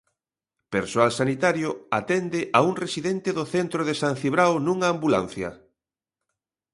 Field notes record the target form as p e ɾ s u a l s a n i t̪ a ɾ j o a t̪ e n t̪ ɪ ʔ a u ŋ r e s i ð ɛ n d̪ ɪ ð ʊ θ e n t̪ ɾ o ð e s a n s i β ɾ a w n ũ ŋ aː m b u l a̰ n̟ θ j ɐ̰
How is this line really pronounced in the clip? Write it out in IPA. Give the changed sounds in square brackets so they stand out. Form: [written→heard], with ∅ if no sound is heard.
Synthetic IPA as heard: p e ɾ s [u→o] a l s a n i t̪ a ɾ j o a t̪ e n [t̪→d̪] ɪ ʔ a u ŋ r e s i ð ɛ n [d̪→t̪] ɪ ð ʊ θ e n t̪ ɾ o ð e s a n [s→θ] i β ɾ a w n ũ ŋ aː m b u l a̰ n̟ θ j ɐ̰